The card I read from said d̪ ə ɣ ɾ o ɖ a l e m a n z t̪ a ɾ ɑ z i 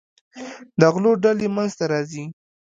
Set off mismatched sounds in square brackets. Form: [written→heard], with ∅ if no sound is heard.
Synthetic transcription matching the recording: d̪ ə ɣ [ɾ→l] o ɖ a l e m a n z t̪ a ɾ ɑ z i